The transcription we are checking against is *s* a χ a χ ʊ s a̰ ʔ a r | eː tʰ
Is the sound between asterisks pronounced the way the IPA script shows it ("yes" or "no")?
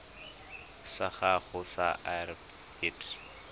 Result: yes